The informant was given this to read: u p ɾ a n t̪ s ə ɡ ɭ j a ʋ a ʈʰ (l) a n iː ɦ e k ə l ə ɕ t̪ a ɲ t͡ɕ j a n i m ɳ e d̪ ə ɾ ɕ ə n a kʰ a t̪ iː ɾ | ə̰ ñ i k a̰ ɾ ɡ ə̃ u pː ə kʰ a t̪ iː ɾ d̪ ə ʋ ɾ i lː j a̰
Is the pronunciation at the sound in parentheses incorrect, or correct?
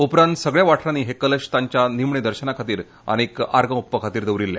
incorrect